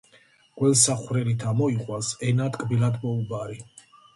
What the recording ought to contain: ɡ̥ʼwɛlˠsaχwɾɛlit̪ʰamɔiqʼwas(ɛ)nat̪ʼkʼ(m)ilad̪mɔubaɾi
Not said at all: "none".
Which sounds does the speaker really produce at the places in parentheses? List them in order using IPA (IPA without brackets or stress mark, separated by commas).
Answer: ɛ, b